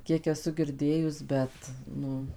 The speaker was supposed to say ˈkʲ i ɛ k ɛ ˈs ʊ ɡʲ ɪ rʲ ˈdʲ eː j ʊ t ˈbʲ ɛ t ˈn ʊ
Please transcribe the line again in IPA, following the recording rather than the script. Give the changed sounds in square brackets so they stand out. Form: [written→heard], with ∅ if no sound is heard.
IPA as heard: ˈkʲ i ɛ k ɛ ˈs ʊ ɡʲ ɪ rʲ ˈdʲ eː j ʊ [t→s] ˈbʲ ɛ t ˈn ʊ